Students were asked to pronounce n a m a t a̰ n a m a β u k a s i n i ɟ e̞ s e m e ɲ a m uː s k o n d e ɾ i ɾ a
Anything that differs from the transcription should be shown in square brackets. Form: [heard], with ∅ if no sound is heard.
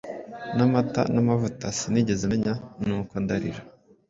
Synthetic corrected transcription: n a m a t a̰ n a m a [v] u [t] a s i n i ɟ e̞ [z] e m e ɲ a [n] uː [∅] k o n d [a] ɾ i ɾ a